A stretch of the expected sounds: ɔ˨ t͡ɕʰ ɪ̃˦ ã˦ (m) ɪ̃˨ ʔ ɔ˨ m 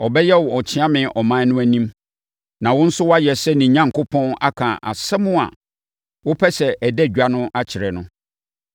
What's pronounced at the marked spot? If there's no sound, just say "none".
m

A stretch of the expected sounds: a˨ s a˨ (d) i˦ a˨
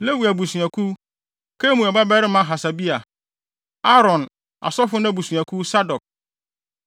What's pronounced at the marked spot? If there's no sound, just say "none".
b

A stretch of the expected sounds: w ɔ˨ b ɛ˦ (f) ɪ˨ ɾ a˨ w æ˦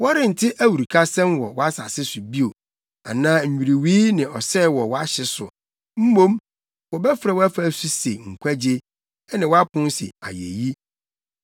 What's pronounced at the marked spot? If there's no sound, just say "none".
f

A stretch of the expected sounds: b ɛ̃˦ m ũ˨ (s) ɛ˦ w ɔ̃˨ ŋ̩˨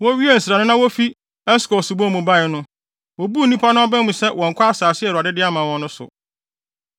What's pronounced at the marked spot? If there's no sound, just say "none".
s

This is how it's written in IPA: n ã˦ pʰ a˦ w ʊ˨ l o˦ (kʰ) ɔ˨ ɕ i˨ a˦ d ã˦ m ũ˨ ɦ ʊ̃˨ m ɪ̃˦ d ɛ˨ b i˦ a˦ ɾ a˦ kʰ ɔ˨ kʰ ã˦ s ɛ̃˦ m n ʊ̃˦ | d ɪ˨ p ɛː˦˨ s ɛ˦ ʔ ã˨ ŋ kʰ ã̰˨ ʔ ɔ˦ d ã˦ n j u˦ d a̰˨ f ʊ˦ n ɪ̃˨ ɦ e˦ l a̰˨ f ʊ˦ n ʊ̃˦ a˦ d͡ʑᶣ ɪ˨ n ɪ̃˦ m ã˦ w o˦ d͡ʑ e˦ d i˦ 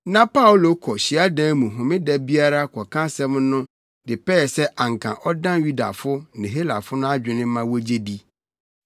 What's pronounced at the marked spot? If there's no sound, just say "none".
kʰ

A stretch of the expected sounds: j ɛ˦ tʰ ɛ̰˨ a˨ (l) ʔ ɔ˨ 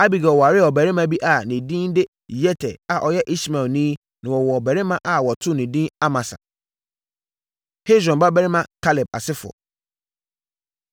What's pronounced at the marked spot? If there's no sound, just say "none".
none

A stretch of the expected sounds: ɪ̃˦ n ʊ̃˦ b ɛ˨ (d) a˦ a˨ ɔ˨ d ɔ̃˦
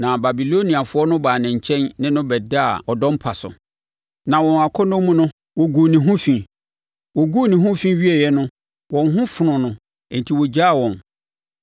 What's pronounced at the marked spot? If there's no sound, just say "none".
d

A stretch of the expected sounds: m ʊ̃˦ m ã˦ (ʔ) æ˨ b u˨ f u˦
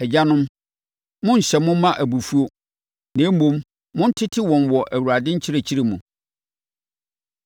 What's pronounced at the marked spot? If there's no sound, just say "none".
ʔ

